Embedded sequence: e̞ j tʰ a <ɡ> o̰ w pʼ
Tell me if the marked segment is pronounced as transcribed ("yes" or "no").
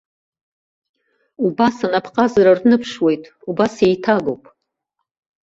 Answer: yes